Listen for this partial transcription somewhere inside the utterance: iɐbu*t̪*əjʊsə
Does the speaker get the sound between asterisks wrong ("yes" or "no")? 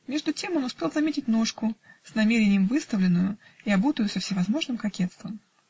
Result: no